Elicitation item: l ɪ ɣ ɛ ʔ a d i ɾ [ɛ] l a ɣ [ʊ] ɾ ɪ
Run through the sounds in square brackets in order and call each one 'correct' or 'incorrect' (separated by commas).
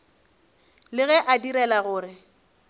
correct, incorrect